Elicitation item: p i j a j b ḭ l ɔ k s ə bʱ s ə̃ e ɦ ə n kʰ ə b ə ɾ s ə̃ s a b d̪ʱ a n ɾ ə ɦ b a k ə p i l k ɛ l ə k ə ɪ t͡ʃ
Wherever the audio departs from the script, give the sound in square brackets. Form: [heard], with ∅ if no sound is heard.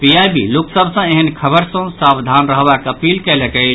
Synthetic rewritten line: p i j a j b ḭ l [o] k s ə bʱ s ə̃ e ɦ ə n kʰ ə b ə ɾ s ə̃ s a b d̪ʱ a n ɾ ə ɦ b a k ə p i l k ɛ l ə k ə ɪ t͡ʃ